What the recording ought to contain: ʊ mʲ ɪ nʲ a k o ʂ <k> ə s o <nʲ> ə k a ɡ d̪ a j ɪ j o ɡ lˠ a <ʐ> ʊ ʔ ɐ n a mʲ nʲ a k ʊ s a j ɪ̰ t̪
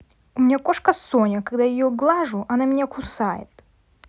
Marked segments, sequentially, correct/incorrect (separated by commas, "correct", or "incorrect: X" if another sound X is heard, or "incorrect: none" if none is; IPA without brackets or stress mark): correct, correct, correct